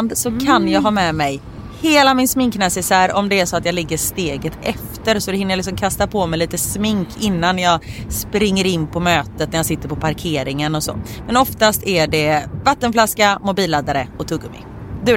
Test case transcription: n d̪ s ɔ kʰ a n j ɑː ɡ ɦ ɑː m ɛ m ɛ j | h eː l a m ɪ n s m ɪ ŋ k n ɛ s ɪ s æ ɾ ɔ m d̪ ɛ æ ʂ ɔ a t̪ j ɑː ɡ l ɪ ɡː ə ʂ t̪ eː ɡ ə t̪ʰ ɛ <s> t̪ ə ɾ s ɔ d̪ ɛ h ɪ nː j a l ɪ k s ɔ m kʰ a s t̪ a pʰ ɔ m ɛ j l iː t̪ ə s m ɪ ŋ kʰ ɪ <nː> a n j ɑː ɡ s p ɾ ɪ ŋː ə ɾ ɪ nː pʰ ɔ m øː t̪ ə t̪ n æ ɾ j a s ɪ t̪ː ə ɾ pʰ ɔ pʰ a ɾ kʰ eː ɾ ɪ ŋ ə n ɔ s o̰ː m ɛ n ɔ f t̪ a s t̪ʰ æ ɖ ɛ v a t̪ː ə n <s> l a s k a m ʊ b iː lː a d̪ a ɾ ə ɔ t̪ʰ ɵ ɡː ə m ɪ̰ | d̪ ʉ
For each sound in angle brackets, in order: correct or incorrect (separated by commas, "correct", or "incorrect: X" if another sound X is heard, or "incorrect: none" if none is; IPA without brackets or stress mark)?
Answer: incorrect: f, correct, incorrect: f